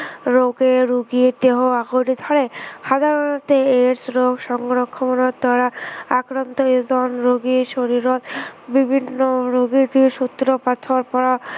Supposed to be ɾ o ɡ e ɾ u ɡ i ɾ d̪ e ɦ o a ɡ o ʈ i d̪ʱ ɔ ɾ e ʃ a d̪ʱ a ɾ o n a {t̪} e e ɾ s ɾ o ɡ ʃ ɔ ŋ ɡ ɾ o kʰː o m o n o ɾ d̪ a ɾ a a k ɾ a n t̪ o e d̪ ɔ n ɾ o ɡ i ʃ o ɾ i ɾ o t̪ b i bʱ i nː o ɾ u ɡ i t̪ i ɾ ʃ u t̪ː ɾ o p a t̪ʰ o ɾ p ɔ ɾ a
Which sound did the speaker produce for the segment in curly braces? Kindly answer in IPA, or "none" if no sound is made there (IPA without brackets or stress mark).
t̪